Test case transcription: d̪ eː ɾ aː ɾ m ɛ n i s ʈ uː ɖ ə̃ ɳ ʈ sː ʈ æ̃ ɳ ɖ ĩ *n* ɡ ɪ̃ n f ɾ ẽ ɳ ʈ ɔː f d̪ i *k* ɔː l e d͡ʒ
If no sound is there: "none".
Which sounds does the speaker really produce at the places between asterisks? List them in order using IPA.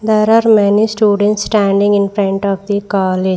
ŋ, k

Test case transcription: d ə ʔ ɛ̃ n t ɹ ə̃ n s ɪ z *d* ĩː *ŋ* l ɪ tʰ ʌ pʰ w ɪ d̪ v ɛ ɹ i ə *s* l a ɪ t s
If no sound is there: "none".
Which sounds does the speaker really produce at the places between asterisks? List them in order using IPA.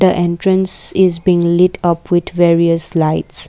b, ŋ, s

